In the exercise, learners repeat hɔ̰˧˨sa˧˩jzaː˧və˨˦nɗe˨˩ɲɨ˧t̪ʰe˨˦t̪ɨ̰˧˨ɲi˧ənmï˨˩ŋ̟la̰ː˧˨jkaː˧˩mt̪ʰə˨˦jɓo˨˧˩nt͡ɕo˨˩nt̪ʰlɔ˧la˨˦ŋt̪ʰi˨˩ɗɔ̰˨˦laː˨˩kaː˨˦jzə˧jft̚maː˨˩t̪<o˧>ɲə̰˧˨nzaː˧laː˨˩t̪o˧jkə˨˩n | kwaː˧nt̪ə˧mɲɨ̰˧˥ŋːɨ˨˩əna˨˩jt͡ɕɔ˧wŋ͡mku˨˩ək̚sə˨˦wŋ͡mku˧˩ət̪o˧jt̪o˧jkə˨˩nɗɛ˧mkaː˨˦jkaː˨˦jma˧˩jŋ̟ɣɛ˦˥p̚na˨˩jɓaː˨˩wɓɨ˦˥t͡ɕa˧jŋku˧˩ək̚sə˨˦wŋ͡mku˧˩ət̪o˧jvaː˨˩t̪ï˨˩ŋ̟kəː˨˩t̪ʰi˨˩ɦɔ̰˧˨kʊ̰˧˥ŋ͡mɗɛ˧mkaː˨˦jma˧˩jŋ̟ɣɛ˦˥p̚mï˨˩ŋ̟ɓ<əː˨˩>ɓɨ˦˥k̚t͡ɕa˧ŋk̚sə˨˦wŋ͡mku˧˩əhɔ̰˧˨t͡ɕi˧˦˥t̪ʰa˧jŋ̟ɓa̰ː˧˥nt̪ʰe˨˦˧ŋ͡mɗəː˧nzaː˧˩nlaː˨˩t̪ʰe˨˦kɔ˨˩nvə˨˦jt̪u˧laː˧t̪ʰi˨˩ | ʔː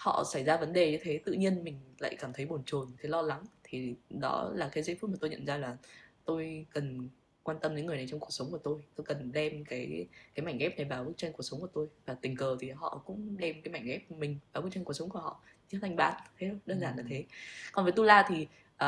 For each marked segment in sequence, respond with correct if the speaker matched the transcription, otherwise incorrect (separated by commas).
correct, incorrect